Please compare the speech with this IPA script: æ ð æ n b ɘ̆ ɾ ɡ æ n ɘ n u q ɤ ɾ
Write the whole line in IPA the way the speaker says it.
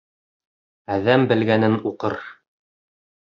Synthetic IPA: æ ð æ m b ɘ̆ l ɡ æ n ɘ n u q ɤ ɾ

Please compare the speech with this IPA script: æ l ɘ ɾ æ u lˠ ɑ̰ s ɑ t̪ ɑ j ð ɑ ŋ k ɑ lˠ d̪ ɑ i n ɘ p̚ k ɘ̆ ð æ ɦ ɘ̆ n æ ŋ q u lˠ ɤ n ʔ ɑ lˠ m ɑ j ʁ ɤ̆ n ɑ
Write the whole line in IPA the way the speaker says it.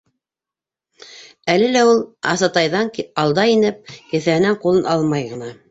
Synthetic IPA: æ l ɘ l æ u lˠ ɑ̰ s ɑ t̪ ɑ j ð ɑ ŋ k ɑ lˠ d̪ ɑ i n ɘ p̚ k ɘ̆ θ æ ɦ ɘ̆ n æ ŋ q u lˠ ɤ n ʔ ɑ lˠ m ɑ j ʁ ɤ̆ n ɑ

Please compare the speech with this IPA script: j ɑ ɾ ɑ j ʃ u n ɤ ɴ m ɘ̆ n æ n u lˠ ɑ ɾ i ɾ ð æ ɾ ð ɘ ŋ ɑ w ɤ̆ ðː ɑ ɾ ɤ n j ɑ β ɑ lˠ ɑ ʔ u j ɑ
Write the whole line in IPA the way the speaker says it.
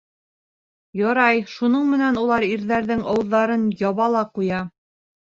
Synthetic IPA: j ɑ ɾ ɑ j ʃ u n ɤ ɴ m ɘ̆ n æ n u lˠ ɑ ɾ i ɾ ð æ ɾ ð ɘ ŋ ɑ w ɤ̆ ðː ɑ ɾ ɤ n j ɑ β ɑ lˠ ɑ q u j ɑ

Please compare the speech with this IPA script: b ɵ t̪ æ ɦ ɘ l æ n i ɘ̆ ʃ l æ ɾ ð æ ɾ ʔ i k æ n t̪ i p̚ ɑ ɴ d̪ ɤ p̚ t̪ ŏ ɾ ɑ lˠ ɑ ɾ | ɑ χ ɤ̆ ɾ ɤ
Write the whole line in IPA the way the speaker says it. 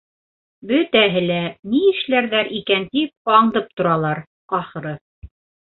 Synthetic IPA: b ɵ t̪ æ ɦ ɘ l æ n i ɘ̆ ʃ l æ ɾ ð æ ɾ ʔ i k æ n t̪ i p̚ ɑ ɴ d̪ ɤ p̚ t̪ ŏ ɾ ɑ lˠ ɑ ɾ | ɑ χ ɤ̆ ɾ ɤ

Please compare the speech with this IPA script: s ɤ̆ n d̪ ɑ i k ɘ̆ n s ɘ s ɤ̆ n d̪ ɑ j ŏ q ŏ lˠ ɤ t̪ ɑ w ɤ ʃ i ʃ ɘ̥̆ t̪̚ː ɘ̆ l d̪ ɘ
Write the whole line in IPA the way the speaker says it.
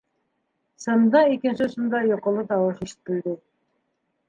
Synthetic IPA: s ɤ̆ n d̪ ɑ i k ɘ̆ n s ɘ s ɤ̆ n d̪ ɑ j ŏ q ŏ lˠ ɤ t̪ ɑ w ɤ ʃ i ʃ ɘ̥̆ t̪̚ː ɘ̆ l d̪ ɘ

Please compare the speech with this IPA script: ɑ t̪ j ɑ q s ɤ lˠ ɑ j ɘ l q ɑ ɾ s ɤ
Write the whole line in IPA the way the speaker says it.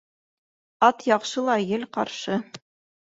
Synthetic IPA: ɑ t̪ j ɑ q ʃ ɤ lˠ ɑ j ɘ l q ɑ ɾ ʃ ɤ

